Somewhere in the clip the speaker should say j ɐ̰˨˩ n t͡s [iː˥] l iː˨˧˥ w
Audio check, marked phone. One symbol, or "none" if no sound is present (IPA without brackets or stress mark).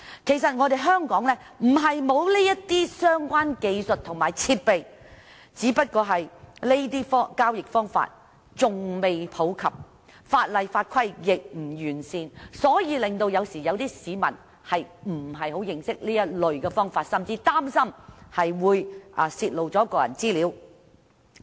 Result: iː˥